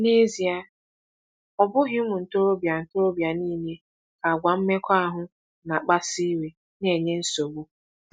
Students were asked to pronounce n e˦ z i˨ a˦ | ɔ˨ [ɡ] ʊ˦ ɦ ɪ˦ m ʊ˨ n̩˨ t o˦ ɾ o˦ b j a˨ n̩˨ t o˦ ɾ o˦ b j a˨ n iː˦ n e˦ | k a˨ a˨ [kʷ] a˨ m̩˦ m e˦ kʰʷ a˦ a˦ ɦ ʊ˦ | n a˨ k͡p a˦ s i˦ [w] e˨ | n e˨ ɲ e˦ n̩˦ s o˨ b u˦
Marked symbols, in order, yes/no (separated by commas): no, no, yes